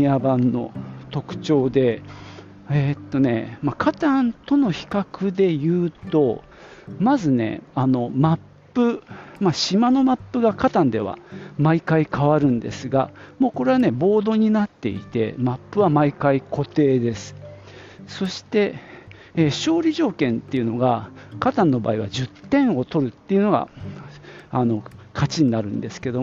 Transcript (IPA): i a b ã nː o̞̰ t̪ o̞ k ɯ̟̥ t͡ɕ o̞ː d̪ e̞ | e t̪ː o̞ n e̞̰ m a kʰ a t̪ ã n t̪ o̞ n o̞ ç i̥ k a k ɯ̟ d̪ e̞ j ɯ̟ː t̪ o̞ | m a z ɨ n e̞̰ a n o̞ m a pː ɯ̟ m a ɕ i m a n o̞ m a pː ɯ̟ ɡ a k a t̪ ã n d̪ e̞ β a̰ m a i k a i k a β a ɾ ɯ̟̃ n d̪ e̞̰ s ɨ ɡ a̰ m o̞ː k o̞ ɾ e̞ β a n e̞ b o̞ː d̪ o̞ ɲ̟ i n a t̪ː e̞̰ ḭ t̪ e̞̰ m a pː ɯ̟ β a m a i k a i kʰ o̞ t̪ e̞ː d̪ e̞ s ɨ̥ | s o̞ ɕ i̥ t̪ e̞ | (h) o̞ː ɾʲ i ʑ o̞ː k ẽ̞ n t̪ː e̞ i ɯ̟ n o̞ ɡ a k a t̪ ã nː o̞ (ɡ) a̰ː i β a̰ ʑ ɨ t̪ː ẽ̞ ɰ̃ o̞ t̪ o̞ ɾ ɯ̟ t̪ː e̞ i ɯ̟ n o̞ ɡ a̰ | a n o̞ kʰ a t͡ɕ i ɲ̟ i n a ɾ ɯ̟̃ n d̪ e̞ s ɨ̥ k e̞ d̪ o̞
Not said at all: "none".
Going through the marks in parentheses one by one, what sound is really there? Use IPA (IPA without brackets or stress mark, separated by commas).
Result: ɕ, b